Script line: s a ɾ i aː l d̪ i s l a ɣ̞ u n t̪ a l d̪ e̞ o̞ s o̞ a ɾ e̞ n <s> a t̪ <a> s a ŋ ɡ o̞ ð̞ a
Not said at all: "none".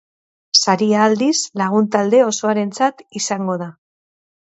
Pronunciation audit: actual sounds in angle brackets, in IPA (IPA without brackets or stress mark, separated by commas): t͡s, i